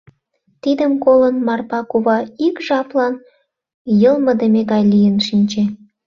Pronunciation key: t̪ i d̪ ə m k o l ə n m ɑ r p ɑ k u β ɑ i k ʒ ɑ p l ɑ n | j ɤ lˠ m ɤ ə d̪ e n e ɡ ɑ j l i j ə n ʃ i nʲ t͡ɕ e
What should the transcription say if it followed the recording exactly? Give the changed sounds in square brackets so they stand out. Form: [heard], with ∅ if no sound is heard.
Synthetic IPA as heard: t̪ i d̪ ə m k o l ə n m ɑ r p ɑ k u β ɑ i k ʒ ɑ p l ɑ n | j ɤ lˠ m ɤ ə d̪ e [m] e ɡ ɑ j l i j ə n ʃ i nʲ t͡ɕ e